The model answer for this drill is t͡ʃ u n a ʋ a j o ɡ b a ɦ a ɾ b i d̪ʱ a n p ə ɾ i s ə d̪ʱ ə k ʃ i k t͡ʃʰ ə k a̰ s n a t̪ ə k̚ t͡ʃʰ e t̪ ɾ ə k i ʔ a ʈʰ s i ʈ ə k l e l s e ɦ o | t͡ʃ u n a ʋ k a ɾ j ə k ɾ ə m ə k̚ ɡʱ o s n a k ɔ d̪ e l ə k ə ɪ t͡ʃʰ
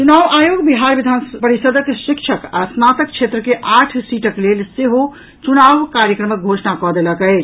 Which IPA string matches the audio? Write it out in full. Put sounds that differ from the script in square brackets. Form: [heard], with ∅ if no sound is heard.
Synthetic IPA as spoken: t͡ʃ u n a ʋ a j o ɡ b [i] ɦ a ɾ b i d̪ʱ a n p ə ɾ i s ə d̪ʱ ə k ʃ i k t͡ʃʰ ə k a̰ s n a t̪ ə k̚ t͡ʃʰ e t̪ ɾ ə k [e] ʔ a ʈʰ s i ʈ ə k l e l s e ɦ o | t͡ʃ u n a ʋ k a ɾ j ə k ɾ ə m ə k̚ ɡʱ o s n a k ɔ d̪ e l ə k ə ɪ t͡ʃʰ